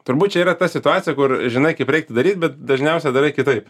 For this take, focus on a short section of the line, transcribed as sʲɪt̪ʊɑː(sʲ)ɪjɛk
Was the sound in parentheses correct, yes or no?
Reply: no